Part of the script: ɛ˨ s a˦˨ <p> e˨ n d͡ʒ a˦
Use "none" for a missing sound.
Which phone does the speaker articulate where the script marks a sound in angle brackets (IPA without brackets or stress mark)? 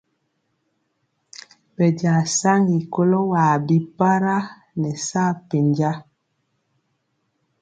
p